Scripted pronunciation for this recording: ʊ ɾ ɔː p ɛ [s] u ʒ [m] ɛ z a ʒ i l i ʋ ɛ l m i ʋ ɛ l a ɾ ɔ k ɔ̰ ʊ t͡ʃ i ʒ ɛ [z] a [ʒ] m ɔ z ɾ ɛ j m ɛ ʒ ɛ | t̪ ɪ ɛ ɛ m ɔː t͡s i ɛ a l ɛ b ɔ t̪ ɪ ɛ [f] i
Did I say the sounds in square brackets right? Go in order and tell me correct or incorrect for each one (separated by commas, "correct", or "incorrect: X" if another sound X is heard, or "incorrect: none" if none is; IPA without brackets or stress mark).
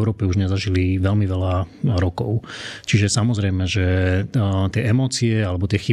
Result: incorrect: none, incorrect: ɲ, incorrect: s, incorrect: none, incorrect: x